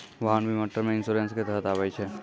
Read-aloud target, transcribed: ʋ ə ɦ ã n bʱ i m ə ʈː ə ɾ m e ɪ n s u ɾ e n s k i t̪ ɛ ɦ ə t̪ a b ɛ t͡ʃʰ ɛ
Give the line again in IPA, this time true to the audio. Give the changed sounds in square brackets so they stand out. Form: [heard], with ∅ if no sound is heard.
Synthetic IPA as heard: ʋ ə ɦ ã n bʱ i m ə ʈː ə ɾ m e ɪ n s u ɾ e n s k [e] t̪ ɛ ɦ ə t̪ a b ɛ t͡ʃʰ ɛ